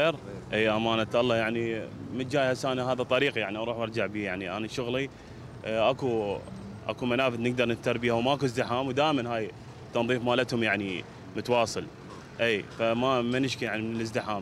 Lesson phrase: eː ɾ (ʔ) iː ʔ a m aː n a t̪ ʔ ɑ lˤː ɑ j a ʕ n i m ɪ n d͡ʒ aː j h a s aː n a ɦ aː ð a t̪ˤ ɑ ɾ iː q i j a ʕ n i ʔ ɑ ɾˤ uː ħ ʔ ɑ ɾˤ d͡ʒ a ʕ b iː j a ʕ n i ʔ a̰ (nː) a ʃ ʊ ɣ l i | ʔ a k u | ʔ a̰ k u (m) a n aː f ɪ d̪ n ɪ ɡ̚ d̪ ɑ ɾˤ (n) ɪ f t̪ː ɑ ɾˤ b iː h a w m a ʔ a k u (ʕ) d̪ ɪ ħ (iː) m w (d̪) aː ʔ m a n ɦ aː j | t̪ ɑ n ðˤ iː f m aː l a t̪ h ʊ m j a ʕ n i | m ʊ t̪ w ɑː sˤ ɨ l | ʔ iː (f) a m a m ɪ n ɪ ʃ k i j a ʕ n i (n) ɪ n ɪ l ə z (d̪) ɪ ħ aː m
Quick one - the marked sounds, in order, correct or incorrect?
correct, incorrect: n, correct, correct, incorrect: z, incorrect: aː, correct, correct, incorrect: m, correct

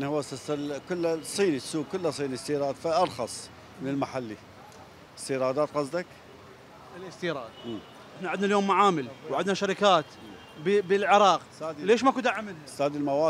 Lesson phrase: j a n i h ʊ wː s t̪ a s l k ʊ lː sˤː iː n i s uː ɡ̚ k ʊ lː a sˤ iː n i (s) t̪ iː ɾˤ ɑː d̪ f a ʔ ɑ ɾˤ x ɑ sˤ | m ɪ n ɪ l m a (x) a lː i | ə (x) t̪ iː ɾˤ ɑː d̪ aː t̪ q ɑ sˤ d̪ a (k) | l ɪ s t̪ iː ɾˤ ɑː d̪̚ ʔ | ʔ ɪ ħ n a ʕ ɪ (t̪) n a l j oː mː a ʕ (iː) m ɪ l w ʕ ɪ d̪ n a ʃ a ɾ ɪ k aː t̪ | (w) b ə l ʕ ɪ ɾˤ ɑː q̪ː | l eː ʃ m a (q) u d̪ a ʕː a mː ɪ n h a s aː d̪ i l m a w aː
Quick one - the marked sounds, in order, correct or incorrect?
correct, incorrect: ħ, incorrect: s, correct, incorrect: d̪, incorrect: aː, incorrect: b, incorrect: k

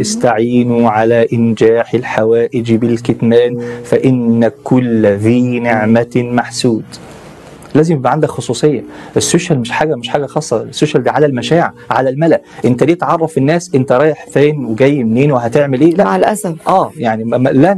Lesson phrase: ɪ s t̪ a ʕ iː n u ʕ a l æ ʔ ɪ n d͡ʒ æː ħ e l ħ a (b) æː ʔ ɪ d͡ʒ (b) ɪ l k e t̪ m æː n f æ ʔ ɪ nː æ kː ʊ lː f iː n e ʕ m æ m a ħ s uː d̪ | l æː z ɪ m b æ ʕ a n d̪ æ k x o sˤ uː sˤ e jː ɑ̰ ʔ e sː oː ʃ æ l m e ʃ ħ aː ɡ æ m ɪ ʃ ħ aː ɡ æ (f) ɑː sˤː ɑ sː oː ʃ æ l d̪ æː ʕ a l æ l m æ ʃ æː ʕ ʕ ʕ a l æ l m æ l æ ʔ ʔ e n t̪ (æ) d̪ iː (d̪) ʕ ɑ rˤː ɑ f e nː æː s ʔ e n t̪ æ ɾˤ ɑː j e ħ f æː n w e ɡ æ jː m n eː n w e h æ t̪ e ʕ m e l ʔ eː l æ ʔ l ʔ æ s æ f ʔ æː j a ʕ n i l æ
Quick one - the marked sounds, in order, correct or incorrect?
incorrect: w, correct, incorrect: x, correct, incorrect: t̪

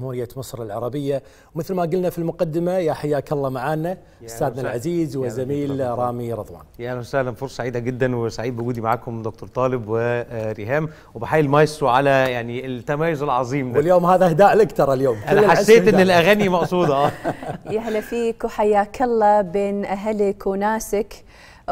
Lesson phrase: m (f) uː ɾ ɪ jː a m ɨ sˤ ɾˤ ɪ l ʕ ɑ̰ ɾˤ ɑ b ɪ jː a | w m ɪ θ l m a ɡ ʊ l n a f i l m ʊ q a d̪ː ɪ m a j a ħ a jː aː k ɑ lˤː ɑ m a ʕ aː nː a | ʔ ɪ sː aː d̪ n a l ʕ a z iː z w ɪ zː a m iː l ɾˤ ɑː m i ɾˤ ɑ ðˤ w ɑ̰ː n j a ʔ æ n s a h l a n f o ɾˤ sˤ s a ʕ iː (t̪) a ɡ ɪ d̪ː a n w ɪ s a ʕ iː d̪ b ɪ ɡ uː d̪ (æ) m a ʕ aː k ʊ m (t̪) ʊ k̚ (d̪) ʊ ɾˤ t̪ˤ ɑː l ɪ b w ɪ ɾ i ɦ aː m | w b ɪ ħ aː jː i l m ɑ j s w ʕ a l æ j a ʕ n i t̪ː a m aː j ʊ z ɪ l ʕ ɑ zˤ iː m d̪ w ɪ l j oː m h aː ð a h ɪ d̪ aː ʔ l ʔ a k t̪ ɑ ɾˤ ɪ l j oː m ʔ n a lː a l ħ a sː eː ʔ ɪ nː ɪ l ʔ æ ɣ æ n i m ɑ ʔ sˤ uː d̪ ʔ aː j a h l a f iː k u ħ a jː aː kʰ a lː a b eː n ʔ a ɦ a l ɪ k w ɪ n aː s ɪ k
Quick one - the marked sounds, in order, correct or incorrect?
incorrect: h, incorrect: d̪, incorrect: i, incorrect: d̪, incorrect: t̪

